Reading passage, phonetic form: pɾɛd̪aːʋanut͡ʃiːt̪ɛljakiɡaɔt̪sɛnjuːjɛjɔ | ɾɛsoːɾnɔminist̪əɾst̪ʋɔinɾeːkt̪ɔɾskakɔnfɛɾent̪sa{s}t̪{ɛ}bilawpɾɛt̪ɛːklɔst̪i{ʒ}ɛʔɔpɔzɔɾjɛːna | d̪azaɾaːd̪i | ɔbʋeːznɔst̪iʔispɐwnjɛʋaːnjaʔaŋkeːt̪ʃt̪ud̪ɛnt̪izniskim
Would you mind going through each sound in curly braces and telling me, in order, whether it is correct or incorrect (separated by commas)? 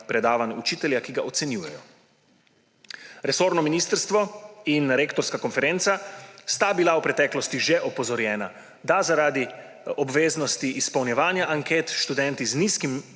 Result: correct, incorrect, correct